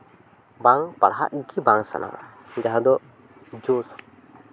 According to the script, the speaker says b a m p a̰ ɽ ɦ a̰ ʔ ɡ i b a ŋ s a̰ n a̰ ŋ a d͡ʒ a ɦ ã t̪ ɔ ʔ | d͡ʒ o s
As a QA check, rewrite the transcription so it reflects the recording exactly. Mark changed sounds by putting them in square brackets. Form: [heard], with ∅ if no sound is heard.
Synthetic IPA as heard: b a [ŋ] p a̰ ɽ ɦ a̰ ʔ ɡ i b a ŋ s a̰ n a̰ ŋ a d͡ʒ a ɦ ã [d̪] ɔ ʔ | d͡ʒ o s